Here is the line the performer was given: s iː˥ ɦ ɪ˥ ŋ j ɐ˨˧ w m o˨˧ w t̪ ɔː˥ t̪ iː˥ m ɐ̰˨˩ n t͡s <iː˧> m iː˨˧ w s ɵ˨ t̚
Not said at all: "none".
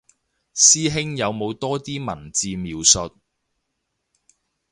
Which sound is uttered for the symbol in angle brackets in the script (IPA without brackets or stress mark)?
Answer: iː˧